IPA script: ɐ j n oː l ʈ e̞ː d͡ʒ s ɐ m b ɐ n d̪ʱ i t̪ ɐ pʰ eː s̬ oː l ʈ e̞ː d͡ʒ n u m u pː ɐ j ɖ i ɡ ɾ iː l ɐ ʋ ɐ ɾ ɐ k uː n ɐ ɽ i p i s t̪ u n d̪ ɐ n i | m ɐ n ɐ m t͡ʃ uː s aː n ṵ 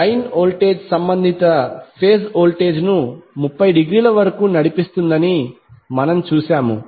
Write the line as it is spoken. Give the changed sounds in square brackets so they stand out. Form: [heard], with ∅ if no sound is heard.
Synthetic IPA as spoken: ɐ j n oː l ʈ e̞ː d͡ʒ s ɐ m b ɐ n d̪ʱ i t̪ ɐ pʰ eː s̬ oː l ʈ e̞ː d͡ʒ n u m u pː ɐ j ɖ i ɡ ɾ iː l ɐ ʋ ɐ ɾ ɐ k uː n ɐ ɽ i p i s t̪ u n d̪ ɐ n i | m ɐ n ɐ m t͡ʃ uː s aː [m] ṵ